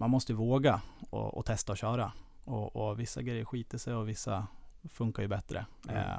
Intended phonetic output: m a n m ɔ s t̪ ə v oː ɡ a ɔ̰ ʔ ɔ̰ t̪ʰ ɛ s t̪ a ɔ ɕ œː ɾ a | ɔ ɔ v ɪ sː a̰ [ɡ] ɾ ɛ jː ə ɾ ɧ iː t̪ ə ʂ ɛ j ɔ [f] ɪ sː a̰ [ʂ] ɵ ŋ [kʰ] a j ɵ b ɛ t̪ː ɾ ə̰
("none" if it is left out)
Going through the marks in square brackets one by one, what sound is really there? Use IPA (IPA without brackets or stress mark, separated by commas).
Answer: ɡ, v, f, k